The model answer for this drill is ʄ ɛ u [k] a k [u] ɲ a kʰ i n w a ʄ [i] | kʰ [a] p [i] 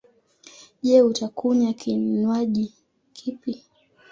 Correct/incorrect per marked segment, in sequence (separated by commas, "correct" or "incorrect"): incorrect, correct, correct, incorrect, correct